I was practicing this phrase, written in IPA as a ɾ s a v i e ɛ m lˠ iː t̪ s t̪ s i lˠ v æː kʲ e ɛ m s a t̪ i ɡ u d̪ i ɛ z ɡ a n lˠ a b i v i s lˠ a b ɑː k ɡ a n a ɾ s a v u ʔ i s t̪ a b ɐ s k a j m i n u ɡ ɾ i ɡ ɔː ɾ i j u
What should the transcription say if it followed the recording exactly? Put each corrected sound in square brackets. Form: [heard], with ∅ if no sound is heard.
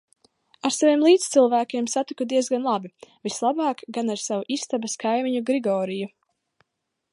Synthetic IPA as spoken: a ɾ s a v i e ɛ m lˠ iː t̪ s t̪ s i lˠ v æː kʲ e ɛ m s a t̪ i [k] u d̪ i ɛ z ɡ a n lˠ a b i v i s lˠ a b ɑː k ɡ a n a ɾ s a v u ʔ i s t̪ a b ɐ s k a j m i [ɲ] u ɡ ɾ i ɡ ɔː ɾ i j u